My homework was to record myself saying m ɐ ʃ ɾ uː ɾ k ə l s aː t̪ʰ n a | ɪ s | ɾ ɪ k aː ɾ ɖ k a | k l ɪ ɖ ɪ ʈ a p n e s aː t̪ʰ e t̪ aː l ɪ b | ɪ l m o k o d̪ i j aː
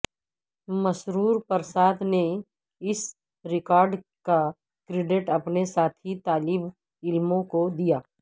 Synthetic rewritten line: m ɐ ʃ ɾ uː ɾ p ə ɾ s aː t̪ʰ n e | ɪ s | ɾ ɪ k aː ɾ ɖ k a | k ɾ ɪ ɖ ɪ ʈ ɐ p n e s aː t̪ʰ i t̪ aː l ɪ b | ɪ l m õ k o d̪ i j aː